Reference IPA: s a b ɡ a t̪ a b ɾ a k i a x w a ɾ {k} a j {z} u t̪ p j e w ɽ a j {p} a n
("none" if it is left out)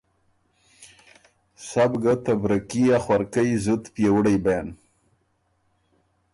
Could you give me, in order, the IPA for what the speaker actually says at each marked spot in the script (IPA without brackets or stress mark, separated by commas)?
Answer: k, z, b